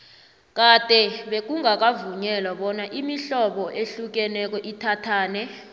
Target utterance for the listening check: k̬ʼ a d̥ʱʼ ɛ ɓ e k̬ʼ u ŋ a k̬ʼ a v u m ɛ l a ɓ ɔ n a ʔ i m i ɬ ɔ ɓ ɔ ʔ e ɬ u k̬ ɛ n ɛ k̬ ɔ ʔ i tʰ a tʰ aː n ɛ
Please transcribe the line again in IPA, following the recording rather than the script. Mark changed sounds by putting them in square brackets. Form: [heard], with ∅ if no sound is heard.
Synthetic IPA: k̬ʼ a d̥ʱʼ ɛ ɓ e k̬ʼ u ŋ a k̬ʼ a v u [ɲ] ɛ l a ɓ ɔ n a ʔ i m i ɬ ɔ ɓ ɔ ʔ e ɬ u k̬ ɛ n ɛ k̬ ɔ ʔ i tʰ a tʰ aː n ɛ